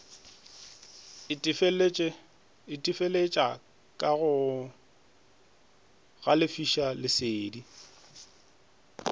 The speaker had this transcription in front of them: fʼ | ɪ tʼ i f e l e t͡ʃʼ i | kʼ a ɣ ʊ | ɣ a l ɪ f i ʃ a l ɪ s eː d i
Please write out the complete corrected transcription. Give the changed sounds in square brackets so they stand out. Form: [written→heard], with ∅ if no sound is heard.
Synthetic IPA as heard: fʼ | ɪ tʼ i f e l e t͡ʃʼ [i→a] | kʼ a ɣ ʊ | ɣ a l ɪ f i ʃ a l ɪ s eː d i